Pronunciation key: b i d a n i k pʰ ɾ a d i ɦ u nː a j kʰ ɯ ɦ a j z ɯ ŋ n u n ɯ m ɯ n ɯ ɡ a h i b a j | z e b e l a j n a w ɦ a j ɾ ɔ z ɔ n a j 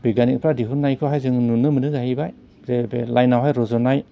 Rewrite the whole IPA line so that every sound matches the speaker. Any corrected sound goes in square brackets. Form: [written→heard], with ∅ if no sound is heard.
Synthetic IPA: b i [d→ɡ] a n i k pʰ ɾ a d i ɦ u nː a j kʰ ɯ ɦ a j z ɯ ŋ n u n ɯ m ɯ n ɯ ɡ a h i b a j | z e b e l a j n a w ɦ a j ɾ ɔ z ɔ n a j